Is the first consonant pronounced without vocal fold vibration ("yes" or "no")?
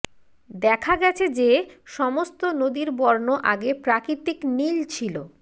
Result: no